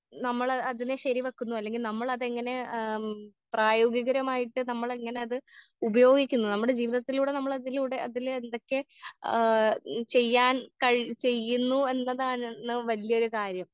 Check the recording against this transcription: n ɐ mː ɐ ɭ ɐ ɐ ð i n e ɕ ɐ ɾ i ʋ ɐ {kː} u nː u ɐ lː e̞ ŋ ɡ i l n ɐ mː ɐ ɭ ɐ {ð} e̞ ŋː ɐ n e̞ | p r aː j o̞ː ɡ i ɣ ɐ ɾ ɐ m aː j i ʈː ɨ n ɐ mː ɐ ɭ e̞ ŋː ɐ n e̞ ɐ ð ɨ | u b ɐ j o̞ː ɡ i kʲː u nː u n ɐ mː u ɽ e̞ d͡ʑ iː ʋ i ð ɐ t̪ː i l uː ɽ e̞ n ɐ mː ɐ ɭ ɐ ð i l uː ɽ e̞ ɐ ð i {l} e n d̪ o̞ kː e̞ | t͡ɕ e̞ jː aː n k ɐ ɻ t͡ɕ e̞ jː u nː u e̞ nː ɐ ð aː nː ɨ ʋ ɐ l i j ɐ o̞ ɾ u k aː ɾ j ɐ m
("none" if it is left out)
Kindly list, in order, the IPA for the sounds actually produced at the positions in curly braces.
kː, ð, l

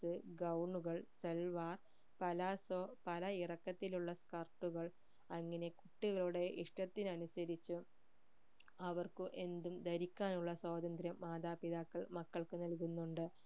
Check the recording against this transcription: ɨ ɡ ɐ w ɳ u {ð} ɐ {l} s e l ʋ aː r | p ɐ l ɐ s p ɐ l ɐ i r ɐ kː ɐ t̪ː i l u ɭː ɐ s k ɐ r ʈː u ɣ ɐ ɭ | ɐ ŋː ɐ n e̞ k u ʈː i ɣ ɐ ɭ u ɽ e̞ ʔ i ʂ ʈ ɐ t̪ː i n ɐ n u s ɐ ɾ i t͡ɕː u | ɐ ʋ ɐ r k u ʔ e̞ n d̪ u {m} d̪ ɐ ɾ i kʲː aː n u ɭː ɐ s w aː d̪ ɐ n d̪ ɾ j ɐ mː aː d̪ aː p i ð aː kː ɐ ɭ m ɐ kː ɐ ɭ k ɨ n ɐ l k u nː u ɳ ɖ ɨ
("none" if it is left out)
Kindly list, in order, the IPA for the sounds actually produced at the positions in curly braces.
ɣ, ɭ, m

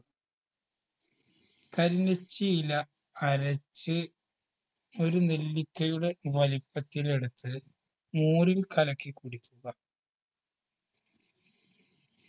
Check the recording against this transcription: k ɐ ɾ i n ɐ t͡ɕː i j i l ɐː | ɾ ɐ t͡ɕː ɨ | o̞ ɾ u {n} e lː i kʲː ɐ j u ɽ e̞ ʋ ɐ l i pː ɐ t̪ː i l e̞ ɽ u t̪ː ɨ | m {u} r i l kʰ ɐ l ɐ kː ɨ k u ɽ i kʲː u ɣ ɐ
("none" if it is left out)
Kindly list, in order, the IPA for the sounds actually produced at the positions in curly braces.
n, uː

